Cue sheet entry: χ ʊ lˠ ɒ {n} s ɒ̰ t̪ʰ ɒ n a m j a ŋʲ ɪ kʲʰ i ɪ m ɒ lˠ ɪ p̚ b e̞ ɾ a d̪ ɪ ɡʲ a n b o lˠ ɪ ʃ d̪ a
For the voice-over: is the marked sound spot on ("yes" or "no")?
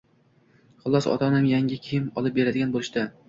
no